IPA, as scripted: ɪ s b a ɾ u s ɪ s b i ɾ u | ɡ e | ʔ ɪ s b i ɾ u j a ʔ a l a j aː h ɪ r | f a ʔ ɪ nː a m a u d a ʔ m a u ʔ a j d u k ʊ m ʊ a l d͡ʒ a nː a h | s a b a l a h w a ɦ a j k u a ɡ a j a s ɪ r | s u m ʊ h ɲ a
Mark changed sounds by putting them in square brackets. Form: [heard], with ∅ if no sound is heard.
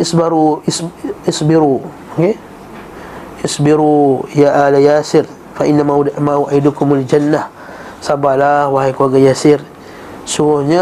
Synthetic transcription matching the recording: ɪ s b a ɾ u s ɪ s b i ɾ u | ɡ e | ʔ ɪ s b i ɾ u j a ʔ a l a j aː [s] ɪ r | f a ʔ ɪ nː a m a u d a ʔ m a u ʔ a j d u k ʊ m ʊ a l d͡ʒ a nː a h | s a b a l a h w a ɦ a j k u a ɡ a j a s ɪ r | s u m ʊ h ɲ a